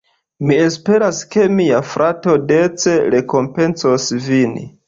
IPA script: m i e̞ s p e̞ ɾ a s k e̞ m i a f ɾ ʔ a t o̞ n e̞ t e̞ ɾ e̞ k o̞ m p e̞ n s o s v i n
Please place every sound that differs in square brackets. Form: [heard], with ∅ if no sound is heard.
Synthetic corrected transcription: m i e̞ s p e̞ ɾ a s k e̞ m i a f ɾ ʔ a t o̞ [d] e̞ [t͡s] e̞ ɾ e̞ k o̞ m p e̞ n s o s v i n